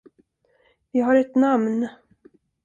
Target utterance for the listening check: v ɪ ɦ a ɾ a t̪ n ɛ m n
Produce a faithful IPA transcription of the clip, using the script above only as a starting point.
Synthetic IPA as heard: v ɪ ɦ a ɾ ɛ t̪ n a m n